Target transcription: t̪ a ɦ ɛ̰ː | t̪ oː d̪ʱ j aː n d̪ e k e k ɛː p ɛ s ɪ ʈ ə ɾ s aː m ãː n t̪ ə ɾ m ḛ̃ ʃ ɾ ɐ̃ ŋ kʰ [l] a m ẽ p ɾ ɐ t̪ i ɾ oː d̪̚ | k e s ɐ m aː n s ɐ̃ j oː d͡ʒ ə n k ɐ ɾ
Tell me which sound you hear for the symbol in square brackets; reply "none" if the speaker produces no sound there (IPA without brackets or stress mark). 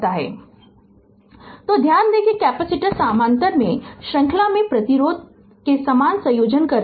l